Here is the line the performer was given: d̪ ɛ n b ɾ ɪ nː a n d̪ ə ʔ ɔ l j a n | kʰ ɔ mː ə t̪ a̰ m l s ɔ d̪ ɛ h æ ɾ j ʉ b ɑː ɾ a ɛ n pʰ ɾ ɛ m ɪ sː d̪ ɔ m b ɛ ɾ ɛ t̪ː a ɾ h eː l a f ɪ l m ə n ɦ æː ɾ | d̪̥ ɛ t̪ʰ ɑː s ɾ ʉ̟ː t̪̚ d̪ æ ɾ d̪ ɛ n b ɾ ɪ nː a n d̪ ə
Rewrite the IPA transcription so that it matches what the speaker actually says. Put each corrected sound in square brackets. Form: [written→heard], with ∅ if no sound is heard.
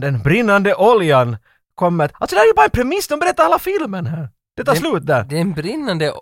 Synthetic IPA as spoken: d̪ ɛ n b ɾ ɪ nː a n d̪ ə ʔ ɔ l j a n | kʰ ɔ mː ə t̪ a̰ [m→∅] l s ɔ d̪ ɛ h æ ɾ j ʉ b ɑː ɾ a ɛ n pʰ ɾ ɛ m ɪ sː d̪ ɔ m b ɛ ɾ ɛ t̪ː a ɾ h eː l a f ɪ l m ə n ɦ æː ɾ | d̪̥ ɛ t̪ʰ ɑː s [ɾ→l] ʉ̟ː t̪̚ d̪ æ ɾ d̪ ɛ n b ɾ ɪ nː a n d̪ ə